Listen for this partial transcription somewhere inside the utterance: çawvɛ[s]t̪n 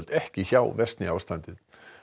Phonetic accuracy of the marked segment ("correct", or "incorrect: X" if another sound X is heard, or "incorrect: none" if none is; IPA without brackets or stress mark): correct